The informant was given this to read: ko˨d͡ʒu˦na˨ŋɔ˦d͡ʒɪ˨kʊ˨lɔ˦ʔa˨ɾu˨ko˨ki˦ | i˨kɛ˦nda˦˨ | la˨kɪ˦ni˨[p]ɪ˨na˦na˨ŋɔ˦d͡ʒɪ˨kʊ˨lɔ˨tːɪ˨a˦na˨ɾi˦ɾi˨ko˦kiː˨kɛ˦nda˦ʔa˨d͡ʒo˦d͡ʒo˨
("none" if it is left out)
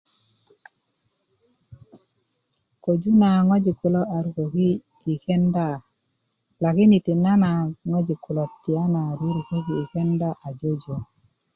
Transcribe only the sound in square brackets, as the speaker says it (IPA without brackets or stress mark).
t